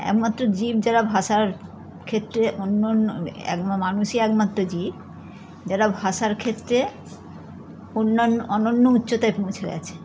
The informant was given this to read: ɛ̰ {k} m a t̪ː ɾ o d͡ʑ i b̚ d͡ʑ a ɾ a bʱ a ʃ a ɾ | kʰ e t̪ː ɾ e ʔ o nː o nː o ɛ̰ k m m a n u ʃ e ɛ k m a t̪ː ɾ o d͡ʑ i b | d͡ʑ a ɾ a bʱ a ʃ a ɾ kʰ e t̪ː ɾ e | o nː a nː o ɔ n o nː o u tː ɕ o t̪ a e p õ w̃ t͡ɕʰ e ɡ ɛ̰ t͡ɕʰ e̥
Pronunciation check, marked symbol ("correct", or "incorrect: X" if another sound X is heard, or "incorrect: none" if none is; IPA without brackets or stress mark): correct